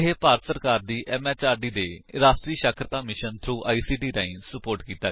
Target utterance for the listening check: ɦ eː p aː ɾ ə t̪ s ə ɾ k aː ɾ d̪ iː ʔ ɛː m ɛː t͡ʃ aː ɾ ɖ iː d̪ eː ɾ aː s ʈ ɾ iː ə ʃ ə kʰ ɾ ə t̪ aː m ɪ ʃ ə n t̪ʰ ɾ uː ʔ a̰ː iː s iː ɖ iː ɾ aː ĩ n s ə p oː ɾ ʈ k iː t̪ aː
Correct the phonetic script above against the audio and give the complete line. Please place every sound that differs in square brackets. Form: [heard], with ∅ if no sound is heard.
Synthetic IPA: ɦ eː p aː ɾ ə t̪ s ə ɾ k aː ɾ d̪ iː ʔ ɛː m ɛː t͡ʃ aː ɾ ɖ iː d̪ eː ɾ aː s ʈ ɾ iː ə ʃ ə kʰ ɾ ə t̪ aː m ɪ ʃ ə n t̪ʰ ɾ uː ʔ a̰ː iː s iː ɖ iː ɾ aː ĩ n s ə p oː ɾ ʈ k iː t̪ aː